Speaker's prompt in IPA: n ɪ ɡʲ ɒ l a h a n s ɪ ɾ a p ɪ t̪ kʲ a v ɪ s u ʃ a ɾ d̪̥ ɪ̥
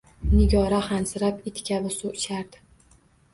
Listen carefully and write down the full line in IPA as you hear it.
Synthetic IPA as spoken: n ɪ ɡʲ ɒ ɾ a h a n s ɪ ɾ a p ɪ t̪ kʲ a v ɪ s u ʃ a ɾ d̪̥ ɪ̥